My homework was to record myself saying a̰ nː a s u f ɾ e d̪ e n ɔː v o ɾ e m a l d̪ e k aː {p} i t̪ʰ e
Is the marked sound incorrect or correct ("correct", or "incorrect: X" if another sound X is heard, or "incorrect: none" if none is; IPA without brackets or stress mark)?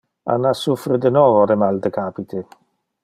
correct